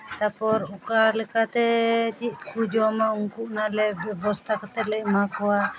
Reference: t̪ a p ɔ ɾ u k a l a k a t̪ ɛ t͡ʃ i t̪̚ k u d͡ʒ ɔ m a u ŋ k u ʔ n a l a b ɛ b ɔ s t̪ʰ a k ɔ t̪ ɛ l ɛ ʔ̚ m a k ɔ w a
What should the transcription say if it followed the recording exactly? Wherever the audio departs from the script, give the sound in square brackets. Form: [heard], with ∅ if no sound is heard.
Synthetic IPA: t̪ a p ɔ ɾ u k a l [ɛ] k a t̪ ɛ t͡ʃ i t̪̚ k u d͡ʒ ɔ m a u ŋ k u ʔ n a l [ɛ] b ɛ b ɔ s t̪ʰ a k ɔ t̪ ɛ l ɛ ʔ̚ m a k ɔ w a